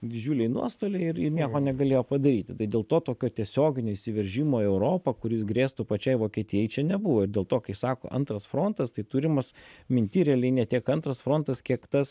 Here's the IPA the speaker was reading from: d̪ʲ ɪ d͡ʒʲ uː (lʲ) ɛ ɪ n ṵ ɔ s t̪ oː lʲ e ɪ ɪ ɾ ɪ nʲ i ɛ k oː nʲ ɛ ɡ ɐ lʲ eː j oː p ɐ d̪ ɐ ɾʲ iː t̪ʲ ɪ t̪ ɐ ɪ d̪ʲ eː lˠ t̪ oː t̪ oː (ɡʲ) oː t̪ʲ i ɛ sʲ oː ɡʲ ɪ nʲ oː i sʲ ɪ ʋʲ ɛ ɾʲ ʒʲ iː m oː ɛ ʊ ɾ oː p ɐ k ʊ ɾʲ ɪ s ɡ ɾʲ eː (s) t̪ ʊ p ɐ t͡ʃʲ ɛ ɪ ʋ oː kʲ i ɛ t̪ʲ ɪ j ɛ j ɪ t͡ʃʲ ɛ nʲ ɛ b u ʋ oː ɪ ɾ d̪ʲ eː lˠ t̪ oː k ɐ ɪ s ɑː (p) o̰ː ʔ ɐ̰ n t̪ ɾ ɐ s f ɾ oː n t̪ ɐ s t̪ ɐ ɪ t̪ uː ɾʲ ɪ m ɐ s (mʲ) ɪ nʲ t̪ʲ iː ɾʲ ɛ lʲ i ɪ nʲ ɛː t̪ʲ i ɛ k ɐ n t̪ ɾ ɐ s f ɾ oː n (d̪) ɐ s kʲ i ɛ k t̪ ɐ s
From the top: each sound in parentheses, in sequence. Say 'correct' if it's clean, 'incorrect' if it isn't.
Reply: correct, incorrect, correct, incorrect, correct, incorrect

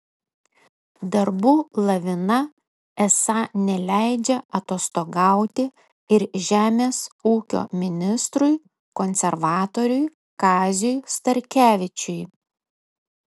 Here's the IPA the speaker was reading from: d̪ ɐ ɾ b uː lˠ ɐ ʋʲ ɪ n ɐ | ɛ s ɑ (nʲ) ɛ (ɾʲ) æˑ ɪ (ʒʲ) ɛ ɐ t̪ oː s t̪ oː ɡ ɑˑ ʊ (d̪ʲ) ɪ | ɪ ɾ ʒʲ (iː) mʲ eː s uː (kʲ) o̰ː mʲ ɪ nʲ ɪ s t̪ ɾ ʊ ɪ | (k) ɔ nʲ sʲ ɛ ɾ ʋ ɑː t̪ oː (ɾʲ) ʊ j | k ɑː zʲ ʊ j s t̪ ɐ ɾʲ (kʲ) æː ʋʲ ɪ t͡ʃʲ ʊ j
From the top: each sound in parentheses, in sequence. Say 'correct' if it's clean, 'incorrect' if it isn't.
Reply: correct, incorrect, incorrect, incorrect, incorrect, correct, correct, correct, correct

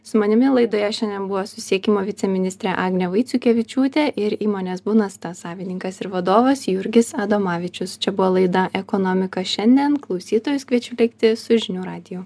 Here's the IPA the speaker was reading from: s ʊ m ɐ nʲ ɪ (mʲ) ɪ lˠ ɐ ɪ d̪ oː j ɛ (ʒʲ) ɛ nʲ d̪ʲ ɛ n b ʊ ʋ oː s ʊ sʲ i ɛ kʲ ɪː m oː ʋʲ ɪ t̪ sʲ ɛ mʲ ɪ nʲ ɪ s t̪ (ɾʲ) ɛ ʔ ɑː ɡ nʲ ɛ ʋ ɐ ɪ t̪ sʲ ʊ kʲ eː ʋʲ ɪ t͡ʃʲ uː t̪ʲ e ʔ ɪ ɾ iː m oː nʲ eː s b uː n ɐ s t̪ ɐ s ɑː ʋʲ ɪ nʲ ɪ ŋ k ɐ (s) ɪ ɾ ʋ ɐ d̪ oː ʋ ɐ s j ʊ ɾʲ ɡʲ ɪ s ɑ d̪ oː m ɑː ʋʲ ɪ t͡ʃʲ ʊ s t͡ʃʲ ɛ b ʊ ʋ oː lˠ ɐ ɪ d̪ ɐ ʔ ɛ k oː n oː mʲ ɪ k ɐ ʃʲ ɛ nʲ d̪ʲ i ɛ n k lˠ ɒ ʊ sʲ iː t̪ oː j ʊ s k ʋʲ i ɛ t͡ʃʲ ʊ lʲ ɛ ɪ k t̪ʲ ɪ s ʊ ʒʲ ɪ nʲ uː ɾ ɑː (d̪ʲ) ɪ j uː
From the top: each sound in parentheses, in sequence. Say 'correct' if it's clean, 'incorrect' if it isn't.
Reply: correct, incorrect, correct, correct, correct

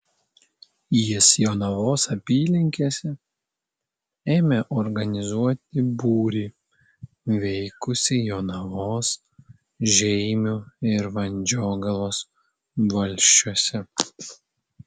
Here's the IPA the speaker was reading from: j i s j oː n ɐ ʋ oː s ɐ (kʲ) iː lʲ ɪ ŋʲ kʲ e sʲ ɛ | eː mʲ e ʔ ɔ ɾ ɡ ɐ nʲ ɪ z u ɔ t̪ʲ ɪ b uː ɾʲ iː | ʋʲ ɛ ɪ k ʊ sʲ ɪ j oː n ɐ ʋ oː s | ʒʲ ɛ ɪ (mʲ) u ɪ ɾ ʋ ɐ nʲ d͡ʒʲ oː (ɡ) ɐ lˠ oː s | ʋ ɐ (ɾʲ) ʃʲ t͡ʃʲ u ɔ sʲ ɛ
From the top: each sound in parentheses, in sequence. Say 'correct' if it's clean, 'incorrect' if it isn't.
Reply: incorrect, correct, correct, incorrect

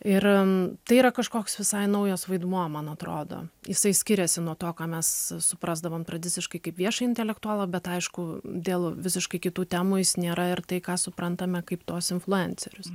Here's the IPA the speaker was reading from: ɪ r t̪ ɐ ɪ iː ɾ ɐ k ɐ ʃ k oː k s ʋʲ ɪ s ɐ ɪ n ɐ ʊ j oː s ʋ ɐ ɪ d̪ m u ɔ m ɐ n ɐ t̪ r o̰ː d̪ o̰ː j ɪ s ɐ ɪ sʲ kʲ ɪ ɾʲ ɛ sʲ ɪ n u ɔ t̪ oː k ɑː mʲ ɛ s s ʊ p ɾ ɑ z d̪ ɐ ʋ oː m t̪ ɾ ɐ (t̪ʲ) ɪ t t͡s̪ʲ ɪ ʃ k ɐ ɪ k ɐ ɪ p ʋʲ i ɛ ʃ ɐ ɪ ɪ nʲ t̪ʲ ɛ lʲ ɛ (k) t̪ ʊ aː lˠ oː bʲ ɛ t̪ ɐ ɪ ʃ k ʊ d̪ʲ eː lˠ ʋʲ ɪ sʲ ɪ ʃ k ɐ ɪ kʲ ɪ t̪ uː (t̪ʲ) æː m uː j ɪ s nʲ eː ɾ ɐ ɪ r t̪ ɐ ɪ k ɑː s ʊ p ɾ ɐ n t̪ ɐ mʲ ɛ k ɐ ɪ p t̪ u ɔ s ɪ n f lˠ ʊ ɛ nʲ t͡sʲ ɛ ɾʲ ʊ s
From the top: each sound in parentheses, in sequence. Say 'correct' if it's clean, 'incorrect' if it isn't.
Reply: incorrect, correct, correct

